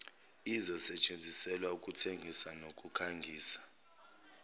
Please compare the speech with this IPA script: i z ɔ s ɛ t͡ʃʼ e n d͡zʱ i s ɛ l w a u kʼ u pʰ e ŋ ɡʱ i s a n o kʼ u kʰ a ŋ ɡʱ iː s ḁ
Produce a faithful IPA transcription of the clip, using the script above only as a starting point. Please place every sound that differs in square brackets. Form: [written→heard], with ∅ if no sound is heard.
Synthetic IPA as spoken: i z ɔ s ɛ t͡ʃʼ e n d͡zʱ i s ɛ l w a u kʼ u [pʰ→tʰ] e ŋ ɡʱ i s a n o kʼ u kʰ a ŋ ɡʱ iː s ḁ